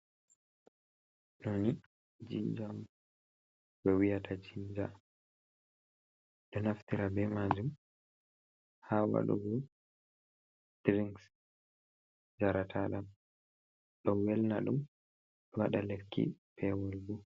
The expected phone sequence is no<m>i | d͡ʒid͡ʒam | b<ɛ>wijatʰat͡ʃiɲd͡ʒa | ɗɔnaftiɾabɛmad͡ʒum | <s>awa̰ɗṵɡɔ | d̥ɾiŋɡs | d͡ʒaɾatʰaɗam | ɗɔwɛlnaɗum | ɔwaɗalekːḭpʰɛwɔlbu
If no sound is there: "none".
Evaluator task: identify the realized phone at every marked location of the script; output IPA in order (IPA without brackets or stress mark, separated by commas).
n, ɛ, h